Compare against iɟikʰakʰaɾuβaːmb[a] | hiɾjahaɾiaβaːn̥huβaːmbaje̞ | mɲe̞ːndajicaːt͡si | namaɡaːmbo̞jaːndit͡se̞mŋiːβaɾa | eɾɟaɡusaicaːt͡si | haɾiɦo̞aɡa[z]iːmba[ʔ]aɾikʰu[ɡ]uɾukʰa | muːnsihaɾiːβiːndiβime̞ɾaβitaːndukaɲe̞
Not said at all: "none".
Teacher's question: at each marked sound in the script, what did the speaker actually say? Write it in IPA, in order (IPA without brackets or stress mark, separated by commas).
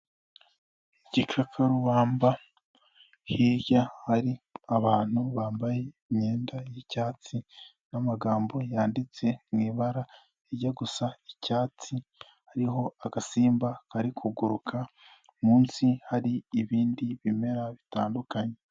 a, s, k, ɡ